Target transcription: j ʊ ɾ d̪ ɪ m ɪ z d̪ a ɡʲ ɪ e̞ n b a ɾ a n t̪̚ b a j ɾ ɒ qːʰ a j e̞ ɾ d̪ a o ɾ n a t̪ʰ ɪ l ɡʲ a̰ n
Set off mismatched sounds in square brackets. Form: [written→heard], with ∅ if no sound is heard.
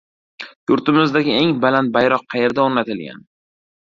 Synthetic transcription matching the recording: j ʊ ɾ [d̪→t̪] ɪ m ɪ z d̪ a ɡʲ ɪ e̞ [n→ŋ] b a [ɾ→l] a n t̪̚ b a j ɾ ɒ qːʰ [a→ɑ] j e̞ ɾ d̪ a o ɾ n a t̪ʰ ɪ l ɡʲ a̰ n